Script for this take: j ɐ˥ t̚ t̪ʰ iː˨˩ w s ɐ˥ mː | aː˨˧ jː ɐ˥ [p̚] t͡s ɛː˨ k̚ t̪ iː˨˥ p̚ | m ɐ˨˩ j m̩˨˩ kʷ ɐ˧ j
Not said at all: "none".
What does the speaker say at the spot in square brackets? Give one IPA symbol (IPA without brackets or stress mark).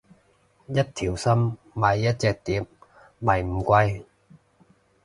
t̚